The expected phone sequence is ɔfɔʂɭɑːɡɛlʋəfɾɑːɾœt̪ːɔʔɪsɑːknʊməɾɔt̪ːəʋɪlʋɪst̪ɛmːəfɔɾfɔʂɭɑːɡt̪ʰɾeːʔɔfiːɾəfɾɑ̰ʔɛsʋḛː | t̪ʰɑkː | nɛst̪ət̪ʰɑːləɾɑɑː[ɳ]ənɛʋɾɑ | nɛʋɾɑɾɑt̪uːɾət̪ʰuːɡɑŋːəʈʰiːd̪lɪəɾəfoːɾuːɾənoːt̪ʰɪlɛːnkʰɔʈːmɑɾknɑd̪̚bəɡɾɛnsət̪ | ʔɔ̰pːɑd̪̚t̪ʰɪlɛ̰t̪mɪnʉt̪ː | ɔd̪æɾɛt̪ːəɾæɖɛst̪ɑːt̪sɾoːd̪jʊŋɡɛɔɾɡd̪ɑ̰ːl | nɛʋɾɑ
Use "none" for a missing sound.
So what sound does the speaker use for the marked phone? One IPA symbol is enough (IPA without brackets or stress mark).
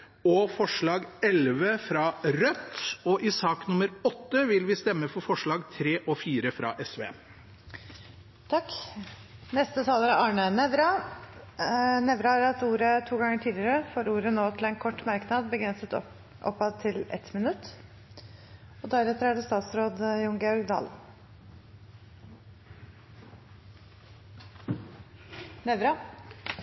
ɳ